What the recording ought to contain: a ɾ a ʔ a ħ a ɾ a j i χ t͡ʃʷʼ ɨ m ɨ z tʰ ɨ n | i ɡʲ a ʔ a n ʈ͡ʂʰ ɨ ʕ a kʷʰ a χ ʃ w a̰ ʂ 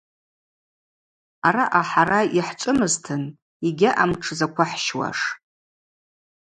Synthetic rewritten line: a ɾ a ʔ a ħ a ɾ a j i ħ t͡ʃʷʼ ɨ m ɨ z tʰ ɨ n | i ɡʲ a ʔ a m ʈ͡ʂʰ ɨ z a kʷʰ a ħ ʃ w a̰ ʂ